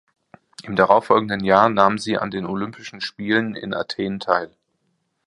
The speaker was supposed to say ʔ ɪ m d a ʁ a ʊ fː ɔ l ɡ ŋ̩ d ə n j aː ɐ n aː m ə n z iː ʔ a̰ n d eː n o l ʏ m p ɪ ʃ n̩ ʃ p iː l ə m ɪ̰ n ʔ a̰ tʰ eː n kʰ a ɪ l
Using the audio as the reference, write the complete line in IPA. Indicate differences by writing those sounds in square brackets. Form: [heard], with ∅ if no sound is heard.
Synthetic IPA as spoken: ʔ ɪ m d a ʁ a ʊ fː ɔ l ɡ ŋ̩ d ə n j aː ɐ n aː m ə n z iː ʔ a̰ n d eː n o l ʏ m p ɪ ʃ n̩ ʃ p iː l ə [n] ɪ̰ n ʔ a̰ tʰ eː n [tʰ] a ɪ l